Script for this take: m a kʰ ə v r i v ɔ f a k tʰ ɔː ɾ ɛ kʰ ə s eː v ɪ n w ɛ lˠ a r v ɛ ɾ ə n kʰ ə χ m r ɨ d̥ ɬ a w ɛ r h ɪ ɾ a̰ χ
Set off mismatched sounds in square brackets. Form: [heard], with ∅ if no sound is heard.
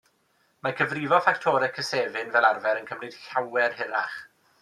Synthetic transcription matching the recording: m a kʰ ə v r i v ɔ f a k tʰ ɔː ɾ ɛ kʰ ə s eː v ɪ n [v] ɛ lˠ a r v ɛ ɾ ə n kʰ ə [∅] m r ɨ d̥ ɬ a w ɛ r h ɪ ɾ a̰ χ